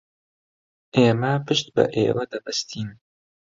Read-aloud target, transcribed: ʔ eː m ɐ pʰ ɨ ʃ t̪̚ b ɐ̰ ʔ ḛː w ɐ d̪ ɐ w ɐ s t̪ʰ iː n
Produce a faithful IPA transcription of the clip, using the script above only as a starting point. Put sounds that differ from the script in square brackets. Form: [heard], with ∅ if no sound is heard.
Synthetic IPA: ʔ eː m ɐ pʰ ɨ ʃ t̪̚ b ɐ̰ ʔ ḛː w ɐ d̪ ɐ [b] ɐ s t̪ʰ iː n